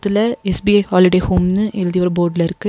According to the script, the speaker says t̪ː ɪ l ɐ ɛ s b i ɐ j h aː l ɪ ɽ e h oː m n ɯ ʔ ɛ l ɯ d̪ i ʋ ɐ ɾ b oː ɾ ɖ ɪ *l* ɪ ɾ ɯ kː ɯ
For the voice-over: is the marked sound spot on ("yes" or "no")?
yes